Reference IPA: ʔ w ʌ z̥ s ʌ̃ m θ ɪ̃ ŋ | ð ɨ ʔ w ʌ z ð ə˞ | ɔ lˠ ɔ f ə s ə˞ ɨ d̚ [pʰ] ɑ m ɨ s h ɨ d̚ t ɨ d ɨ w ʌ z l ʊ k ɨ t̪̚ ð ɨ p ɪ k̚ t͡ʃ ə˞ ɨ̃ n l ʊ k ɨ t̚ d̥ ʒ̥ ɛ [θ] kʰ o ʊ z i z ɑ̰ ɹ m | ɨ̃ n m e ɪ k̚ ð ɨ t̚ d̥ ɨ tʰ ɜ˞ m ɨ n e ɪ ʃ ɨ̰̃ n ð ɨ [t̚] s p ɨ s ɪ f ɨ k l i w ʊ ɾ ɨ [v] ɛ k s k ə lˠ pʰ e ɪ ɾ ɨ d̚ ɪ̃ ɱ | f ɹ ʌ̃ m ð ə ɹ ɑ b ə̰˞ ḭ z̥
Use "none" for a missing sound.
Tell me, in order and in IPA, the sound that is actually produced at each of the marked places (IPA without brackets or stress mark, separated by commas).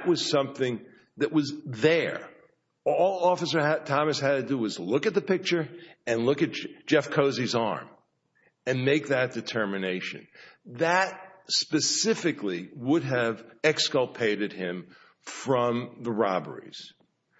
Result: tʰ, f, t̚, v